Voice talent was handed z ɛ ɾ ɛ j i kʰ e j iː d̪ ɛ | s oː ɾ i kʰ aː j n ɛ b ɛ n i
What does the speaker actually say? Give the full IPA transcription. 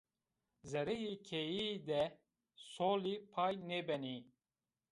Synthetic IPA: z ɛ ɾ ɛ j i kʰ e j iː d̪ ɛ | s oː l i pʰ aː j n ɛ b ɛ n i